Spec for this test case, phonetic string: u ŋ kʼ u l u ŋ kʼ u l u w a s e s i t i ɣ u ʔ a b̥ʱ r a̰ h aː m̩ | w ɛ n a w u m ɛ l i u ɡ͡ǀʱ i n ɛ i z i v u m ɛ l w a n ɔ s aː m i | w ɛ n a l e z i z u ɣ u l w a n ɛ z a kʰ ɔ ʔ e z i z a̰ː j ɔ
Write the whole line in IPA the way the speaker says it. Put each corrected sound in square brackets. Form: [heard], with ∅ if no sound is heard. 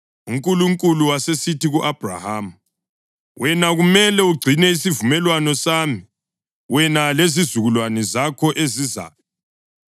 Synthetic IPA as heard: u ŋ kʼ u l u ŋ kʼ u l u w a s e s i t i ɣ u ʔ a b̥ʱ r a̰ h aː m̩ | w ɛ n a [ɣ] u m ɛ l [ɛ] u ɡ͡ǀʱ i n ɛ i [s] i v u m ɛ l w a n ɔ s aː m i | w ɛ n a l e z i z u ɣ u l w a n ɛ z a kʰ ɔ ʔ e z i z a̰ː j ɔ